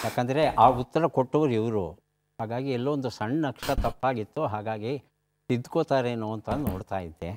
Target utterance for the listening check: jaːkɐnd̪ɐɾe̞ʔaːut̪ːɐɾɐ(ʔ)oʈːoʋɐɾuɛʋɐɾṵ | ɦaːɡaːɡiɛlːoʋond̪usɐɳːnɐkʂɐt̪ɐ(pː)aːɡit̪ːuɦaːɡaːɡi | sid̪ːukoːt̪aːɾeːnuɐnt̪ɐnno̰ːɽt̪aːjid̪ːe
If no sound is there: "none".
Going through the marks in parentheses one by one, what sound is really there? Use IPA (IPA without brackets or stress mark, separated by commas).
k, pː